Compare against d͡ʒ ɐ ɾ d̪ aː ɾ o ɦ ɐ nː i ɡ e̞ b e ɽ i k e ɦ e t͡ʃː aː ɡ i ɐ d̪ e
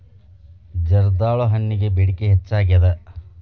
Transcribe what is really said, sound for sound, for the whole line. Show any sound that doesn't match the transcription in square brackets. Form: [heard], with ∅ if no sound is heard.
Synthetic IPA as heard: d͡ʒ ɐ ɾ d̪ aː [ɭ] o ɦ ɐ nː i ɡ e̞ b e ɽ i k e ɦ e t͡ʃː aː ɡ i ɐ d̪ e